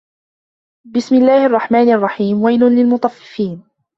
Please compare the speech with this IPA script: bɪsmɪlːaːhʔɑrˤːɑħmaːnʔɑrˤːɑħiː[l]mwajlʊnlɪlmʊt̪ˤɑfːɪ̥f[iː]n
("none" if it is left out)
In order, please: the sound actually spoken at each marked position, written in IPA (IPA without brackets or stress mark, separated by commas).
none, iː